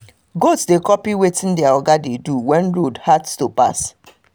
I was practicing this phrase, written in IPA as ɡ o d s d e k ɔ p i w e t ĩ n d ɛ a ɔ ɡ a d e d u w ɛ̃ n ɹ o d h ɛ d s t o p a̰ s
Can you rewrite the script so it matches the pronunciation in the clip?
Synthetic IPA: ɡ o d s d e k ɔ p i w e t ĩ n d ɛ a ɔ ɡ a d e d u w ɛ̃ n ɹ o d h a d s t o p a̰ s